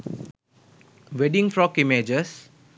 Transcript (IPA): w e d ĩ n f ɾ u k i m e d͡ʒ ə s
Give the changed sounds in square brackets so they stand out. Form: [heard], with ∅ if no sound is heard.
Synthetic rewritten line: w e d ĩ [ŋ] f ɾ [ɔ] k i m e d͡ʒ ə s

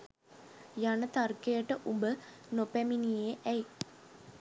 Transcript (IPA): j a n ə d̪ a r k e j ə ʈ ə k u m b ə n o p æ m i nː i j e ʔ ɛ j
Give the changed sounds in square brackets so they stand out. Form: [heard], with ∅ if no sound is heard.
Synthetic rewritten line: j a n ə [t̪] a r k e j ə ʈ ə [ʔ] u m b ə n o p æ m i [n] i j e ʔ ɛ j

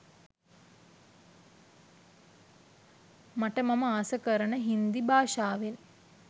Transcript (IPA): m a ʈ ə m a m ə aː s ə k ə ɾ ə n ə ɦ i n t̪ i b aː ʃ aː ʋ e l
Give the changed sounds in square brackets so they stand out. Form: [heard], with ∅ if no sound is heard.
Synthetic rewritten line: m a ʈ ə m a m ə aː s ə k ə ɾ ə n ə ɦ i n [d̪] i b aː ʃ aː ʋ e l

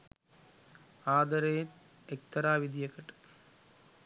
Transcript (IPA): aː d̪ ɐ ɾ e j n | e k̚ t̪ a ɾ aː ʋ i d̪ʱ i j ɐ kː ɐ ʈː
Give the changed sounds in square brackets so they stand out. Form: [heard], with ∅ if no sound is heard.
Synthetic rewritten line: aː d̪ ɐ ɾ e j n | e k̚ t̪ [ɐ] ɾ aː ʋ i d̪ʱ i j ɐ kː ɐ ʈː

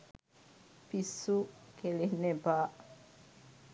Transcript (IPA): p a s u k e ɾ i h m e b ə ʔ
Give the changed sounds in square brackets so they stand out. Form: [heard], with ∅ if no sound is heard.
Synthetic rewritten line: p [i] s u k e [l] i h [n] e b [a] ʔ

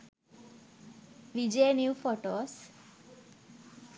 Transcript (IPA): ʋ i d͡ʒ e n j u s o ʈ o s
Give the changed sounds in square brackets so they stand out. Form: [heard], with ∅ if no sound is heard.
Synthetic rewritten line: ʋ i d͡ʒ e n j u [f] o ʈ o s

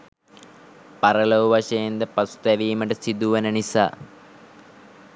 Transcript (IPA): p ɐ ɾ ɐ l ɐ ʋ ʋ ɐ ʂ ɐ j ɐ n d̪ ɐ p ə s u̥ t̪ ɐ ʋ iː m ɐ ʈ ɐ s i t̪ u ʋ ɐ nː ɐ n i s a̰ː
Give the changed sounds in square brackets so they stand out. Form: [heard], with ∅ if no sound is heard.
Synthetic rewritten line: p ɐ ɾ ɐ l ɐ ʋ ʋ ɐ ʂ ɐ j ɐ n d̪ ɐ p [ɐ] s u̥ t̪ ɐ ʋ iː m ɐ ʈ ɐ s i [d̪] u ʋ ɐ [n] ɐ n i s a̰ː

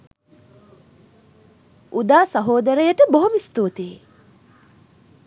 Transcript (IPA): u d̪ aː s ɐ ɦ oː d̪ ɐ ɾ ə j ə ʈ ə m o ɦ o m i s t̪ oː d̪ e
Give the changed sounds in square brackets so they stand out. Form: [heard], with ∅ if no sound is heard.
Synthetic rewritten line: u d̪ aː s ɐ ɦ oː d̪ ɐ ɾ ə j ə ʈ ə [b] o ɦ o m i s t̪ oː [t̪] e

